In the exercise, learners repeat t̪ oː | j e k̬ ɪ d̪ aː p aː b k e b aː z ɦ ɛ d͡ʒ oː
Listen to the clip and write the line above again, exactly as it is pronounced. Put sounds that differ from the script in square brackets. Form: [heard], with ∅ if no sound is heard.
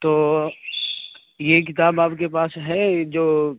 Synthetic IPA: t̪ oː | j e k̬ ɪ [t̪] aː [b] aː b k e [p] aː [s] ɦ ɛ d͡ʒ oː